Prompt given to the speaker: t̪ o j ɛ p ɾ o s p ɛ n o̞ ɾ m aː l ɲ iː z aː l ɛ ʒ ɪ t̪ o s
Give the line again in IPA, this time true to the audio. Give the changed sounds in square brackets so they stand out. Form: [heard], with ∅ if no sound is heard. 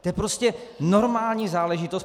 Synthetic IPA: t̪ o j ɛ p ɾ o s [c] ɛ n o̞ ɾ m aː l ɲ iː z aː l ɛ ʒ ɪ t̪ o s